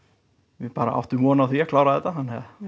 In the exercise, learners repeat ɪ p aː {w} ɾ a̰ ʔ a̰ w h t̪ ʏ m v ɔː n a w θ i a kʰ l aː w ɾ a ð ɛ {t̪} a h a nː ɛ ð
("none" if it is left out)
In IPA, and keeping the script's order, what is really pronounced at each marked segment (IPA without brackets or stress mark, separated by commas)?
none, t̪